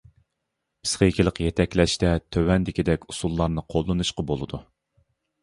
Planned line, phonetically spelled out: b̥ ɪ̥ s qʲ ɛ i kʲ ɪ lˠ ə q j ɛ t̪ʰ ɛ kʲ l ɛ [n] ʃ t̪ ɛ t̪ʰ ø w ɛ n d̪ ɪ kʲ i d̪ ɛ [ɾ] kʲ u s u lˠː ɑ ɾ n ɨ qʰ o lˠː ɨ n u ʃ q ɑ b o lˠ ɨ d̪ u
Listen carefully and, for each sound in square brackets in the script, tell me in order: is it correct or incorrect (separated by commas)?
incorrect, incorrect